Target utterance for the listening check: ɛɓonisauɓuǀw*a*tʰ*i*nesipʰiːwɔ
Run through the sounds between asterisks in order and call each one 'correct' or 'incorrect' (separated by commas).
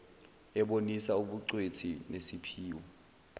incorrect, correct